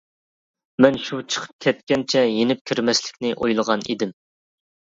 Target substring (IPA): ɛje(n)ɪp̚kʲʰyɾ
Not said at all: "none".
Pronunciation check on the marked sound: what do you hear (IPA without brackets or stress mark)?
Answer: n